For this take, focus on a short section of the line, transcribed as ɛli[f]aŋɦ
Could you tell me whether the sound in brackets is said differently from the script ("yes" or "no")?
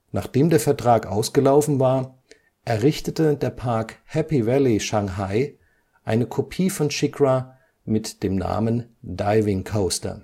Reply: yes